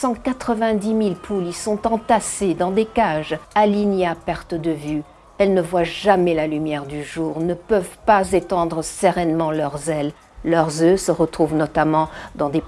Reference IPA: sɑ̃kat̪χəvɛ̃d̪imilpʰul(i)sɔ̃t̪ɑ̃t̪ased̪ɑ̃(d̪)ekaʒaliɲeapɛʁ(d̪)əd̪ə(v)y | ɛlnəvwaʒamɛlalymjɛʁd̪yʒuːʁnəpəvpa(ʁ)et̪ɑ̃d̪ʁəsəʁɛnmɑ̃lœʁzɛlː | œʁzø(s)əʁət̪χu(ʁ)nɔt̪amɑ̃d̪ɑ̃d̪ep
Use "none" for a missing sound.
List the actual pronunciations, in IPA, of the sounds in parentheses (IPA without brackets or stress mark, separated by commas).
i, d̪, t̪, v, z, s, v